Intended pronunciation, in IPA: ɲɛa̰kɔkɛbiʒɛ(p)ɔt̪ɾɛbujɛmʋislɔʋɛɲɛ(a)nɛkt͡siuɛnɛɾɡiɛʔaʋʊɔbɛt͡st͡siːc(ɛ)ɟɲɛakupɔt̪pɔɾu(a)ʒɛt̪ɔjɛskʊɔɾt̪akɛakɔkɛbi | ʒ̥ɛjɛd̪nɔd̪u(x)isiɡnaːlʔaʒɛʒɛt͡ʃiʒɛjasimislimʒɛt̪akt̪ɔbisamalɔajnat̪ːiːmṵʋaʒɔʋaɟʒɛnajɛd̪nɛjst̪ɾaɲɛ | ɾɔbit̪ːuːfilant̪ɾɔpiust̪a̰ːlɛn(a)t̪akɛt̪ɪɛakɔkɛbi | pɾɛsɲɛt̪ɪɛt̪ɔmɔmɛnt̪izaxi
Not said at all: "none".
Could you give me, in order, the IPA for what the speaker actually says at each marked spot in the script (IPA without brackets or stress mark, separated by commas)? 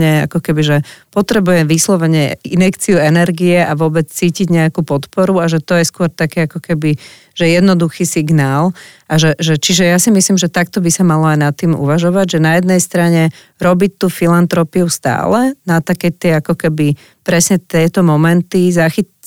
p, i, i, a, x, a